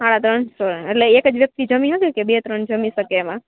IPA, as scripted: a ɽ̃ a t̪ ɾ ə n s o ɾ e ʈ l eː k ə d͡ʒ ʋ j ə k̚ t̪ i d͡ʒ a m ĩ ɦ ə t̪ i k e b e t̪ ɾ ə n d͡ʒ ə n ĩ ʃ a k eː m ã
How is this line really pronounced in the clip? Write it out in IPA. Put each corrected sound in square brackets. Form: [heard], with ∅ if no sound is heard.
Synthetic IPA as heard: a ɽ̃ a t̪ ɾ ə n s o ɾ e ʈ l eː k ə d͡ʒ ʋ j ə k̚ t̪ i d͡ʒ [ə] m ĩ ɦ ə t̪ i k e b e t̪ ɾ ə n d͡ʒ ə [m] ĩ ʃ [ə] k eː m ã